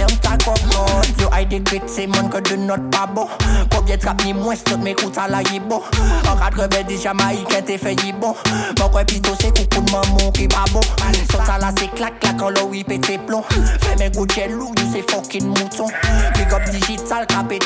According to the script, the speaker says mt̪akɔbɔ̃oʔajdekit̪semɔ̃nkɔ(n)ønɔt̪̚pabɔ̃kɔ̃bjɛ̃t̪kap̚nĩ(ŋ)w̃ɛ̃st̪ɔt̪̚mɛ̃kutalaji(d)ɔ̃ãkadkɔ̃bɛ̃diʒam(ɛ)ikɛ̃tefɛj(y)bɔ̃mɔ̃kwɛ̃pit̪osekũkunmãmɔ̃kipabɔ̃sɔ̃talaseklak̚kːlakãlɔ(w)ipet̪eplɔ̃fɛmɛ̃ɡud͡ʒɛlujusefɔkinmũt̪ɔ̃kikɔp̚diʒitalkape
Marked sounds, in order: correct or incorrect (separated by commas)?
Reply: incorrect, incorrect, incorrect, incorrect, incorrect, correct